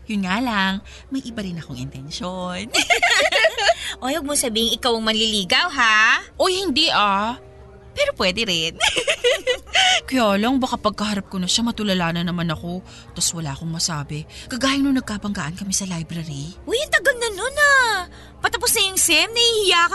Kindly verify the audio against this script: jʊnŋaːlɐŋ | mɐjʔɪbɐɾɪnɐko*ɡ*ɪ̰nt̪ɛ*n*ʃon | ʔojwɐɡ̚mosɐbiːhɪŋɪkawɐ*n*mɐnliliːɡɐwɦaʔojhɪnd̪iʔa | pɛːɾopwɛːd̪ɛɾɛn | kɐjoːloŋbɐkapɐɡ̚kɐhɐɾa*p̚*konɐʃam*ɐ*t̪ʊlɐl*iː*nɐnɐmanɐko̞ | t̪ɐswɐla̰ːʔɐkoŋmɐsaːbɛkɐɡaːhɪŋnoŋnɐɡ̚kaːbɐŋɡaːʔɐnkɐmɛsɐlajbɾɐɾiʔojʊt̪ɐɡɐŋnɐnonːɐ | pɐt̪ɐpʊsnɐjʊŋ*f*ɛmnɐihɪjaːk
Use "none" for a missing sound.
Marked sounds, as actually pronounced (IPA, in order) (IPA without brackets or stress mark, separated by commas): ŋ, n, ŋ, p̚, ɐ, aː, s